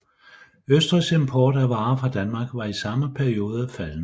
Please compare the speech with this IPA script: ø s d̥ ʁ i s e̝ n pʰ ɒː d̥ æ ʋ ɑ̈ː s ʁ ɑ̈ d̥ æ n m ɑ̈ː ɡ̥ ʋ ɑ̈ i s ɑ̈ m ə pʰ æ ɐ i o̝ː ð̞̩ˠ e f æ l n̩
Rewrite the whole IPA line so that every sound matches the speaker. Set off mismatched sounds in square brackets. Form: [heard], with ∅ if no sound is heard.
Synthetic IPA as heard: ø s d̥ ʁ i s e̝ [m] pʰ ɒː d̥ æ ʋ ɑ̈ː [f] ʁ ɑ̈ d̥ æ n m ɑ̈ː ɡ̥ ʋ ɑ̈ i s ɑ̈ m ə pʰ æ ɐ i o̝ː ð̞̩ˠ [æ] f æ l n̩